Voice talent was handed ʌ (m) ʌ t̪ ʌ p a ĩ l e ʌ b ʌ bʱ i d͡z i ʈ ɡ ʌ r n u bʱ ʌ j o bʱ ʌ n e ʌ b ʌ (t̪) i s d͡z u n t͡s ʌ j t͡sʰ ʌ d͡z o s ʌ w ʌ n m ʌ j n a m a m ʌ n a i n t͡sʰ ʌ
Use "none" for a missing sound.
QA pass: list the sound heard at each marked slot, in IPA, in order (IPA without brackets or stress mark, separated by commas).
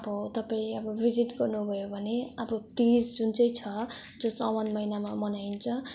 b, t̪